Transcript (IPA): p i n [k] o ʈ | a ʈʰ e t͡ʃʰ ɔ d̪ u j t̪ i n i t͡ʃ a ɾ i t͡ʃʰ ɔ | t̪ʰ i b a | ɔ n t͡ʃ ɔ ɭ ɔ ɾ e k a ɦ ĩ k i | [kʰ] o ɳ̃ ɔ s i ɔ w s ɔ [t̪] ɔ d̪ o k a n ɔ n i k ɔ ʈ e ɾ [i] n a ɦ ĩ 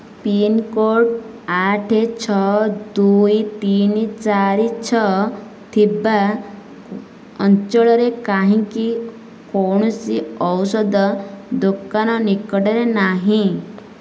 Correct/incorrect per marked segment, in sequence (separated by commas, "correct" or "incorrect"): correct, incorrect, incorrect, incorrect